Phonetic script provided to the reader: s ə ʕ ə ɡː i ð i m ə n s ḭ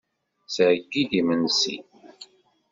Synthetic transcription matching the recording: s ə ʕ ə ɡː i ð i m ə n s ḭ